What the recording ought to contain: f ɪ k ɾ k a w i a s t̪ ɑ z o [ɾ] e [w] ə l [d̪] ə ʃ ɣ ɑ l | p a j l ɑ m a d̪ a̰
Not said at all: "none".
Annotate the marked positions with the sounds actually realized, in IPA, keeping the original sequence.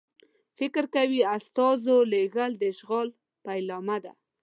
l, ɣ, d̪

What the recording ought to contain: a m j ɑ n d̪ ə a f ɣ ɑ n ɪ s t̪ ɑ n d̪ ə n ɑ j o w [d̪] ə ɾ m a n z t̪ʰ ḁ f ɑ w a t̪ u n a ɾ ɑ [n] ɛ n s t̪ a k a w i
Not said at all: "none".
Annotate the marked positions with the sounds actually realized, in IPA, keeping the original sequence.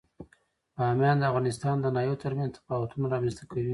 t̪, m

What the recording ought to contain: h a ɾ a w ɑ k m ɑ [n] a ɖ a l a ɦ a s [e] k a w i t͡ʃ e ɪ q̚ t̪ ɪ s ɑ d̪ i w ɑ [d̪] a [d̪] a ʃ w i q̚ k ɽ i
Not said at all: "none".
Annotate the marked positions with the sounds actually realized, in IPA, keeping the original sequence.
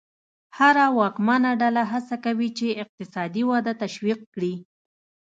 n, a, d̪, t̪

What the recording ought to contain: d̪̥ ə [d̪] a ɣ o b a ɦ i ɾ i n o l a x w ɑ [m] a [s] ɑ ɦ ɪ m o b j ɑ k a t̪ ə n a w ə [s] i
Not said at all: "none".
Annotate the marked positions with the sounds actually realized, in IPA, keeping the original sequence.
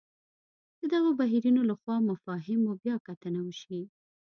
d̪, m, f, ʃ

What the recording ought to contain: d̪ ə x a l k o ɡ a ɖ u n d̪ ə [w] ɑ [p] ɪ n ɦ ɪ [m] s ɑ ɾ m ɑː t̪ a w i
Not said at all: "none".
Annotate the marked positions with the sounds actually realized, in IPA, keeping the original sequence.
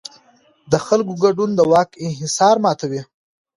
w, k, none

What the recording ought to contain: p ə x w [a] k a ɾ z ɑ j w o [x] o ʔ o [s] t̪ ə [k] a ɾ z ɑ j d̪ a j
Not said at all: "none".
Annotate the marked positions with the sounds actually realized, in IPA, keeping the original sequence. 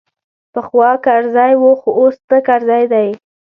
ɑ, x, s, k

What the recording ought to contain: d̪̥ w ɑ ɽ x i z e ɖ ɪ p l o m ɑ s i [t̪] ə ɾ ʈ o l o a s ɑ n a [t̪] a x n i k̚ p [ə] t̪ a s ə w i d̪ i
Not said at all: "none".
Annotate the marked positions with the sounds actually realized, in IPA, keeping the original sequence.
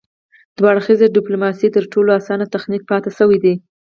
t̪, t̪, ɑ

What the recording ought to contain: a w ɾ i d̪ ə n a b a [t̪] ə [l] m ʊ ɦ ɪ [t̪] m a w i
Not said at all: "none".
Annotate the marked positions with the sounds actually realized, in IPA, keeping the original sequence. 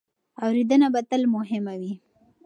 t̪, l, none

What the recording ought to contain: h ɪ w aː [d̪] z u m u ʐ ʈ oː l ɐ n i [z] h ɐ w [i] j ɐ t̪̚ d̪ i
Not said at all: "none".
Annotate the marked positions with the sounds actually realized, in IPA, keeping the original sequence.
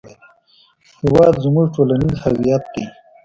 d̪, z, i

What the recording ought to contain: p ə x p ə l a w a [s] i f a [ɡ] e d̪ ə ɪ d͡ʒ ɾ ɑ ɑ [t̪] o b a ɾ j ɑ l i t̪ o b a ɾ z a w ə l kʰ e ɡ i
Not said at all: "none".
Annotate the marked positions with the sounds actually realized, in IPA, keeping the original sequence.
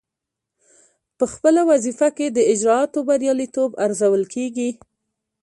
z, k, t̪

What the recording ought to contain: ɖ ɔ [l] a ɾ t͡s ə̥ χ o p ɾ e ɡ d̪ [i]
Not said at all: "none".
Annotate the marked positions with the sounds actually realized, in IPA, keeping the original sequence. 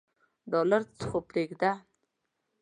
l, a

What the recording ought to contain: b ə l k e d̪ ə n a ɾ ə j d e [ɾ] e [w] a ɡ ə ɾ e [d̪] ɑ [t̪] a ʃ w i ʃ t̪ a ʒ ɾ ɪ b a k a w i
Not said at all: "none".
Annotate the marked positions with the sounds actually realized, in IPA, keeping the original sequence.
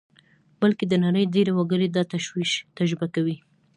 ɾ, w, d̪, t̪

